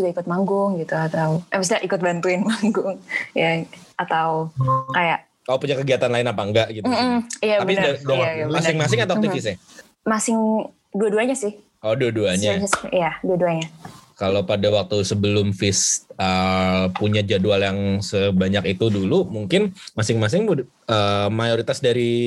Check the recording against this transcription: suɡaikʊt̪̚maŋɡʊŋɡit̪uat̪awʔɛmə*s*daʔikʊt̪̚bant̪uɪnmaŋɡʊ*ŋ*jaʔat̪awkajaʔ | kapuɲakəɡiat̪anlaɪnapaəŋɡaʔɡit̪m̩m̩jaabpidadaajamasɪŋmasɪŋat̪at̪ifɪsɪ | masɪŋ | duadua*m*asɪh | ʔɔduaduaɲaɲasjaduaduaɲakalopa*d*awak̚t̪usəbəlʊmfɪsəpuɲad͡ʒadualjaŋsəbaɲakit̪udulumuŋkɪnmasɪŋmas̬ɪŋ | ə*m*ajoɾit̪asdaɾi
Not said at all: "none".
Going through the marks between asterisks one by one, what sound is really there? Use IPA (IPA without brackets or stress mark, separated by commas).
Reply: s, ŋ, ɲ, d, m